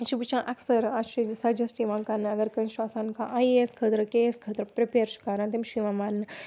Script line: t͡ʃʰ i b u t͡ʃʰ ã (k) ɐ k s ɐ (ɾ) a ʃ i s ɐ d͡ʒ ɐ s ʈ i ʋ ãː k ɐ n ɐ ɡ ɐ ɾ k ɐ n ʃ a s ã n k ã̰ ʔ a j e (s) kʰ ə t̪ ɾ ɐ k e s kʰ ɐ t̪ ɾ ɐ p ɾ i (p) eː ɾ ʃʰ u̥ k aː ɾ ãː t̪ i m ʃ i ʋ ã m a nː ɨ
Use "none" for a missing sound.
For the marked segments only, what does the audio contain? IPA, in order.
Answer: ʔ, ɾ, s, p

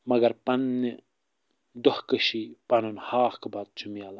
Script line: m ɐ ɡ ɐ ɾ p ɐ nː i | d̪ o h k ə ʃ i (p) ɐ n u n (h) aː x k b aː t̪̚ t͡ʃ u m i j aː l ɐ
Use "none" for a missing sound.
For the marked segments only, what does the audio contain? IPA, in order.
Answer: p, h

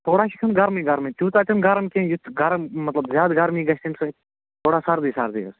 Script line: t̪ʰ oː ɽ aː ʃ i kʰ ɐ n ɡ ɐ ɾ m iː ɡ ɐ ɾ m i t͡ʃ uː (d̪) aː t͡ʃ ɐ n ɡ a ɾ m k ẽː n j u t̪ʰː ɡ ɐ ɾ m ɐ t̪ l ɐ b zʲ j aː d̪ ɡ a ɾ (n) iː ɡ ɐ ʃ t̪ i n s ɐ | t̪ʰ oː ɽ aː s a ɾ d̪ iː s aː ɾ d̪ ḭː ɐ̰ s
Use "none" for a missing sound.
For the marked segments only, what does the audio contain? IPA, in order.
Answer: t̪, m

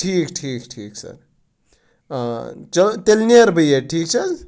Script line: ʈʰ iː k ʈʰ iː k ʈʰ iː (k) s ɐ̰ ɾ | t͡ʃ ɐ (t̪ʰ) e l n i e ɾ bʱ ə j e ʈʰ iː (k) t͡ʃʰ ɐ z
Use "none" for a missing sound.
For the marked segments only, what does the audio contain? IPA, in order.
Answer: k, t̪, k

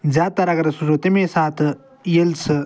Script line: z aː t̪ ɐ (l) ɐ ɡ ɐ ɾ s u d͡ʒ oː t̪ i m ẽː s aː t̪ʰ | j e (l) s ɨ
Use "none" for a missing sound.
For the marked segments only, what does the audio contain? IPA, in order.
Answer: ɾ, l

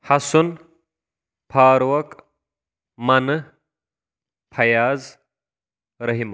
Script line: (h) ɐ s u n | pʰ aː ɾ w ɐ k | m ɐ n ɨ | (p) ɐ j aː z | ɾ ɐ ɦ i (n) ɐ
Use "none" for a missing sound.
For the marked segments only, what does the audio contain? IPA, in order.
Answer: h, pʰ, m

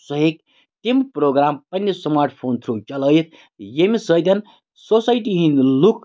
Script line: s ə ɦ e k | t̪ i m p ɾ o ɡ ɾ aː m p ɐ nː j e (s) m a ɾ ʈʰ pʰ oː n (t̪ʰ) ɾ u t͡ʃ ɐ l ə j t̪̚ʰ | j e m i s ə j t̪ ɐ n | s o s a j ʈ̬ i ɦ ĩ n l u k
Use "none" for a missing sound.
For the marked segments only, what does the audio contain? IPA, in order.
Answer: s, t̪ʰ

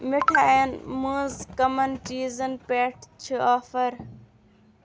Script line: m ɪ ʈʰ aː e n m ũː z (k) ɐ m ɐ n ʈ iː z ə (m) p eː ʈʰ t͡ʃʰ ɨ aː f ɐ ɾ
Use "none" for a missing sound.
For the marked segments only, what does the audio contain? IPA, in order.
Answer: k, n

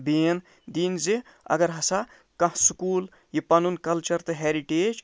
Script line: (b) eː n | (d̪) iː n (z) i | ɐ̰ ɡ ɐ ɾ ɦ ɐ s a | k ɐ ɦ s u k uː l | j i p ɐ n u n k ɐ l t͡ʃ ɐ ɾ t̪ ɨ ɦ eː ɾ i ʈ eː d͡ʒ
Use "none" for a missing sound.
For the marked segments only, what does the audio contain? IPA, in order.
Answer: b, d̪, z

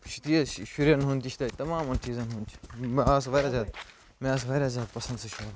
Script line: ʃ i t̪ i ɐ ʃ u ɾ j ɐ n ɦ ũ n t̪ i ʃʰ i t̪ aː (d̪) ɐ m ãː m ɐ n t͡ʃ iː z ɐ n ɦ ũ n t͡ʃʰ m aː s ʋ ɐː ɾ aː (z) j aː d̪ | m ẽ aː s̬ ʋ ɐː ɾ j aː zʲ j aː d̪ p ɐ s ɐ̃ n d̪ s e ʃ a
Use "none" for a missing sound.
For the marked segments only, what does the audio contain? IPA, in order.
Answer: t̪, z

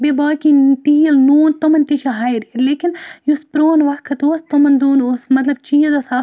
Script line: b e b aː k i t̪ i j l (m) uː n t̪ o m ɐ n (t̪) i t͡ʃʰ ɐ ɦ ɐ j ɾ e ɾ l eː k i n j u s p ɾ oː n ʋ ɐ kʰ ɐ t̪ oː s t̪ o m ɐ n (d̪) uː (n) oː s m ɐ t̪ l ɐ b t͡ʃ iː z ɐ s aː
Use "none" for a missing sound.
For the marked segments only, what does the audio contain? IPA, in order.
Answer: n, t̪, d̪, n

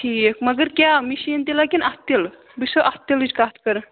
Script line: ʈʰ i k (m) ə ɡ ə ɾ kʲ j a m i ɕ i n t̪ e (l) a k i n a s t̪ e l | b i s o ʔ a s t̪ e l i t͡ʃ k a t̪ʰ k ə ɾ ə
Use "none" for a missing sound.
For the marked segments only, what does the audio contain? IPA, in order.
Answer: m, l

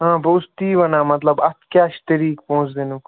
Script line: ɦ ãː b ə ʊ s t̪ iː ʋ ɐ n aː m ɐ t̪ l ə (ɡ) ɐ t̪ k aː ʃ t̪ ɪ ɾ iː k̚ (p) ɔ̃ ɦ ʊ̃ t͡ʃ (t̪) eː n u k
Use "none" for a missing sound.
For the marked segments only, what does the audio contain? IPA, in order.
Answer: b, p, d̪

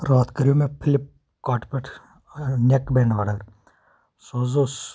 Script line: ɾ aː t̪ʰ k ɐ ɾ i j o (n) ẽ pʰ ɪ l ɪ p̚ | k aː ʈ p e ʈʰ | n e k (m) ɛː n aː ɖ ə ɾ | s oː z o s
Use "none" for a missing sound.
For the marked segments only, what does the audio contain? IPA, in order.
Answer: m, b

